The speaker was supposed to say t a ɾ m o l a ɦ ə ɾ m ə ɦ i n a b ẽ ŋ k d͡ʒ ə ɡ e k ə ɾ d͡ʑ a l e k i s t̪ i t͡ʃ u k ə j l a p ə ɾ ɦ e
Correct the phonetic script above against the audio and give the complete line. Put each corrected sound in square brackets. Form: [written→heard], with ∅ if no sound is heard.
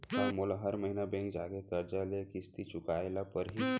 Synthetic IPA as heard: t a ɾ m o l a ɦ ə ɾ m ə ɦ i n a b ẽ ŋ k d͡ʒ [ə→a] ɡ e k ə ɾ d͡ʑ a l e k i s t̪ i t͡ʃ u k [ə→a] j l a p ə ɾ ɦ [e→i]